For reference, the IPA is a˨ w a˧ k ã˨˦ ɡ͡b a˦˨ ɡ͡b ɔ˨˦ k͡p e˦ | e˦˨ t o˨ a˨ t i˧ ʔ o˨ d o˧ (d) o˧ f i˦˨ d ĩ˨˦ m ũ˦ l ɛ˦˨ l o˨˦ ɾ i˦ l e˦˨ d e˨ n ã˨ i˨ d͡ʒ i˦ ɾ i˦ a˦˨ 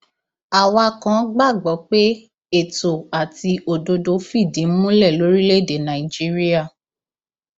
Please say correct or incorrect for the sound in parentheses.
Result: correct